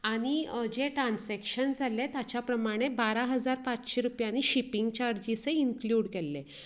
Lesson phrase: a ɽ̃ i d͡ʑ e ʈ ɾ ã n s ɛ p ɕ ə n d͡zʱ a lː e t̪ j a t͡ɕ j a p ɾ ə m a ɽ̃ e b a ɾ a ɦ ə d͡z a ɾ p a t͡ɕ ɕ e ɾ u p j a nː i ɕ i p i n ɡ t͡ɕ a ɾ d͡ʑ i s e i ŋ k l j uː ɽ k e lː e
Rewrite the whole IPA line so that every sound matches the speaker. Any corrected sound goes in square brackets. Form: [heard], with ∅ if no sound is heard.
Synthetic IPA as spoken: a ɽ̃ i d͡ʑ e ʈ ɾ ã n s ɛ [k] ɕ ə n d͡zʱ a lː e t̪ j a t͡ɕ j a p ɾ ə m a ɽ̃ e b a ɾ a ɦ ə d͡z a ɾ p a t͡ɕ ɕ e ɾ u p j a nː i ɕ i p i [ŋ] ɡ t͡ɕ a ɾ d͡ʑ i s e i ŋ k l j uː ɽ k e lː e